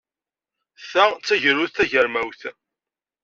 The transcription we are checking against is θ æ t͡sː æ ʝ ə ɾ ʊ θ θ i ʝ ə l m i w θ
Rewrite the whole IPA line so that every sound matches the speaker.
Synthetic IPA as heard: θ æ t͡sː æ ʝ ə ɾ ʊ θ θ æ ʝ ə ɾ m æ w θ